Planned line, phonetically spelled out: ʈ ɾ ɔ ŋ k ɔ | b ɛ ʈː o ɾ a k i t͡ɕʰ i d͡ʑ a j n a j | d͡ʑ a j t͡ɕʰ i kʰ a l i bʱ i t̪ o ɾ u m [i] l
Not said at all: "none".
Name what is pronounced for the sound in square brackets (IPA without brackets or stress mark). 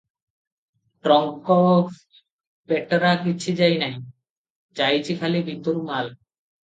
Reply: a